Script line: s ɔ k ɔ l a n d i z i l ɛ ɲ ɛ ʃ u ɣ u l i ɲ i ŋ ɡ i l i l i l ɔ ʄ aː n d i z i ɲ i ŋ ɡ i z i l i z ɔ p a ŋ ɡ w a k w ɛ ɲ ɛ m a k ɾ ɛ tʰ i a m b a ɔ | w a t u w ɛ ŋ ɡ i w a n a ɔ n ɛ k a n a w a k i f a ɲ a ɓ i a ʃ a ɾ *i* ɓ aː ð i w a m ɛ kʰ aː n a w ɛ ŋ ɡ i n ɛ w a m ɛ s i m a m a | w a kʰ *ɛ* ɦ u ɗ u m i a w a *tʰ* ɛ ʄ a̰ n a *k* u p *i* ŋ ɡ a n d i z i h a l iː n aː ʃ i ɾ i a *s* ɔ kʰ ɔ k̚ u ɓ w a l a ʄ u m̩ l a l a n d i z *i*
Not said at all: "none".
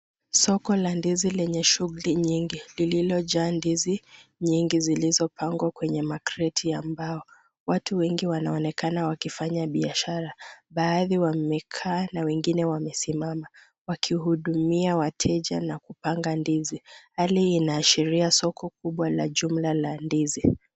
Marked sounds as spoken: a, i, tʰ, k, a, s, i

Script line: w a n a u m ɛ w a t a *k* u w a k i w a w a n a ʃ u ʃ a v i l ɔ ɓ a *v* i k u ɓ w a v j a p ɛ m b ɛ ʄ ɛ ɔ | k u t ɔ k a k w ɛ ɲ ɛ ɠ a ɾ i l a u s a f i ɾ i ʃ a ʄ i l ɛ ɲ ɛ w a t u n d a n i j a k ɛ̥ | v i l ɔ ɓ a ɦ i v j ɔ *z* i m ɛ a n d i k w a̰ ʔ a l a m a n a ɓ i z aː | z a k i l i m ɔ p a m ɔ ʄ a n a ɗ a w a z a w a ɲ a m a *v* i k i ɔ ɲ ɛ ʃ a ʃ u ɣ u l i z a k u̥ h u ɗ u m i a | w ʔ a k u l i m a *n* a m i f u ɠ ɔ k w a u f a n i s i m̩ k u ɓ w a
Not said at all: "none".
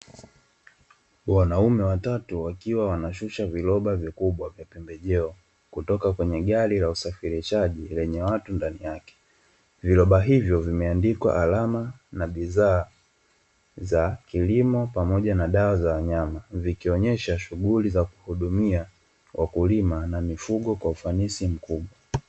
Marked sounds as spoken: t, v, v, v, n

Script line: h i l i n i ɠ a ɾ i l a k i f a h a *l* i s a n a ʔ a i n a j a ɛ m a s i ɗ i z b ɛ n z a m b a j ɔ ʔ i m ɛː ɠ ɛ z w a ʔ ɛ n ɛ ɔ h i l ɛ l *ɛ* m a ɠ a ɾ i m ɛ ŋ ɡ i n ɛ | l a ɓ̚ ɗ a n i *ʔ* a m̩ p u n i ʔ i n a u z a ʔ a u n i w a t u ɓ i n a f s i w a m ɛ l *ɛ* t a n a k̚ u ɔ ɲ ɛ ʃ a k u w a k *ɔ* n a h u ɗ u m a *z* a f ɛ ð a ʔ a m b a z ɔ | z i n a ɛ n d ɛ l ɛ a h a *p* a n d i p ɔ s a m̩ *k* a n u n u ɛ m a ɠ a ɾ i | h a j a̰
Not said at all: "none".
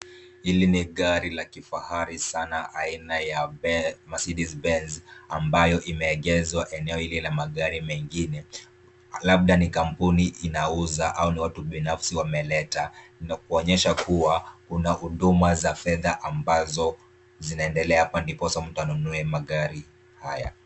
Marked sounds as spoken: ɾ, a, k, ɛ, u, z, p, t

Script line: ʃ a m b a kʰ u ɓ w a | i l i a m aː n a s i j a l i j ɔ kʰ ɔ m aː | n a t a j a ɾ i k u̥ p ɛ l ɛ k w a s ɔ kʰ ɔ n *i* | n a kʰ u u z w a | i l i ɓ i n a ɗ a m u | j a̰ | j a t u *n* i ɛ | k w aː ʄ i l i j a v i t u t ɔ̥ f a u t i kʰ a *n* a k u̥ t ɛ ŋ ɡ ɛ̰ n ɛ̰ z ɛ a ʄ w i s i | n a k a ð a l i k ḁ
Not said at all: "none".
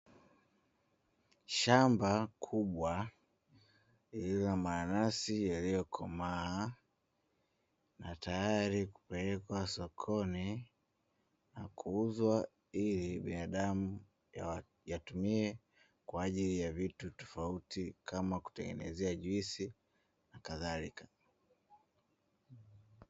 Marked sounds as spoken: i, m, m

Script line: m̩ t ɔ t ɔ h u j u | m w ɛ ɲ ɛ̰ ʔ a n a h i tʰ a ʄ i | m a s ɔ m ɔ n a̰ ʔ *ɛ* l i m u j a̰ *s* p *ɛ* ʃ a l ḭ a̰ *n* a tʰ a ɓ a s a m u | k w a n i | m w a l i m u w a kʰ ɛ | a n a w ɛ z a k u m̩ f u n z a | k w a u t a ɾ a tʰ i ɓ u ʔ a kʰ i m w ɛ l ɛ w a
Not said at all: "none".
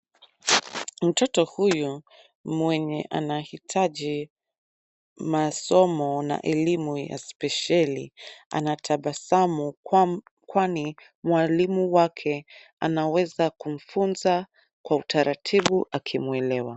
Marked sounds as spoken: ɛ, s, ɛ, n

